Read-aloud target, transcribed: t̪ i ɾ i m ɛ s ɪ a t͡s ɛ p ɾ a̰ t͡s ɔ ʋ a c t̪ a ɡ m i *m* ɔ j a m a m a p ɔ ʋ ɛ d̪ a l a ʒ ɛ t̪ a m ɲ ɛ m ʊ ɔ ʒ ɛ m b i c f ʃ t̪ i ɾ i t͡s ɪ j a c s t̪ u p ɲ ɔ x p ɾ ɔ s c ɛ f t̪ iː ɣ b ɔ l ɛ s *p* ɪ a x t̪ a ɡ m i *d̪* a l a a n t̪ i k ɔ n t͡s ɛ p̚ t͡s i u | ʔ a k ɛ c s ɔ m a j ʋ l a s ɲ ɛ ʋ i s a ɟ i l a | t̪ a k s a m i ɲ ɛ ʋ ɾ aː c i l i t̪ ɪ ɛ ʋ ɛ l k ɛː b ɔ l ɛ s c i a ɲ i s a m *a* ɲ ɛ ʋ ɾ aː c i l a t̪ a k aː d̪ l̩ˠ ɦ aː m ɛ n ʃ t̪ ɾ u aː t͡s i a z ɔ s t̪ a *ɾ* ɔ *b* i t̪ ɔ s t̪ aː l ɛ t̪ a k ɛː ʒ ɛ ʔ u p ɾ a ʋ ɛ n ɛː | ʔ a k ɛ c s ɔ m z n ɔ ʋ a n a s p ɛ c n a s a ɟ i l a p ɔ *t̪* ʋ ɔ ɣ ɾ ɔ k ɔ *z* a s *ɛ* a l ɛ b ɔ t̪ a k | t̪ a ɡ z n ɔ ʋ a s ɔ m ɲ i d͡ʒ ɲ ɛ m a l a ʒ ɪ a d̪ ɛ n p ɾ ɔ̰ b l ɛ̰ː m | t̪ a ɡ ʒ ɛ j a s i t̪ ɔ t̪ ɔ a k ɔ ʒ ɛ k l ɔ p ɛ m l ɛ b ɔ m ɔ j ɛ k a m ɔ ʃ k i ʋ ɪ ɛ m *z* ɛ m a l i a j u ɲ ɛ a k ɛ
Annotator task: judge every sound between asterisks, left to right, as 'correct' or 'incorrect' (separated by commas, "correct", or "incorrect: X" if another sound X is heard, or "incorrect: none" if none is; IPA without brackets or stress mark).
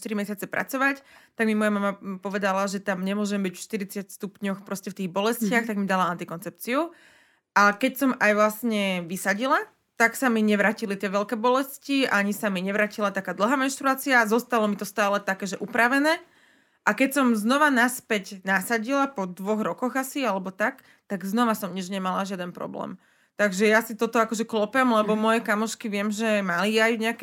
correct, incorrect: c, correct, incorrect: i, incorrect: l, incorrect: m, incorrect: d̪, incorrect: ɣ, incorrect: i, incorrect: ʒ